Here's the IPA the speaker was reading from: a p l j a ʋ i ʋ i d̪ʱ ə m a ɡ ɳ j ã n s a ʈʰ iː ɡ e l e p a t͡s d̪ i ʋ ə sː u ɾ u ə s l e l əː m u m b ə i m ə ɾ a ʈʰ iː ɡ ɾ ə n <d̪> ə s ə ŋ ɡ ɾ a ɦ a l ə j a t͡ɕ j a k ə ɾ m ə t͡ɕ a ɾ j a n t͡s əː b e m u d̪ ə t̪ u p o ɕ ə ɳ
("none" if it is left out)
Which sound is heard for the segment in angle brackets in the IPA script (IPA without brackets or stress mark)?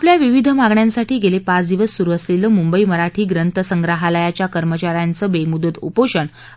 t̪